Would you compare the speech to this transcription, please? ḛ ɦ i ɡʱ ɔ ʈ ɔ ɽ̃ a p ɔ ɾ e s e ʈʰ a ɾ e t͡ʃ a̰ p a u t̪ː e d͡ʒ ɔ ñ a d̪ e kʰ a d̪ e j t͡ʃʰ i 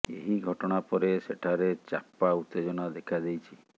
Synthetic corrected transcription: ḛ ɦ i ɡʱ ɔ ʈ ɔ ɽ̃ a p ɔ ɾ e s e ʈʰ a ɾ e t͡ʃ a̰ p a u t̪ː e d͡ʒ ɔ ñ a d̪ e kʰ a d̪ e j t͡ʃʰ i